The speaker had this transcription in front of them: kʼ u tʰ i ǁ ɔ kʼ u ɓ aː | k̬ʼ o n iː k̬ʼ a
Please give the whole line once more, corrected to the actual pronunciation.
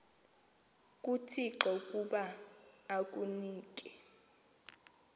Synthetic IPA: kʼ u tʰ i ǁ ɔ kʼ u ɓ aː | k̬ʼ u n iː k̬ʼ ɛ